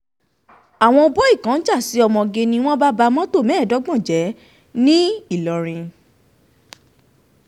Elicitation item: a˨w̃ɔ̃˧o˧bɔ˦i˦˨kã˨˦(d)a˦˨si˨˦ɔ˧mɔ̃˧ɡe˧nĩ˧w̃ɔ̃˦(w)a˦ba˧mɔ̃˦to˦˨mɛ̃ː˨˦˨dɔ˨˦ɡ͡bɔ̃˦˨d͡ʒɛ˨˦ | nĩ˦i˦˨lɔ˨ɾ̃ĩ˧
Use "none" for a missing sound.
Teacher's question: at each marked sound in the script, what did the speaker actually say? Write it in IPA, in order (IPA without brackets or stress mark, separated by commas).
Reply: d͡ʒ, b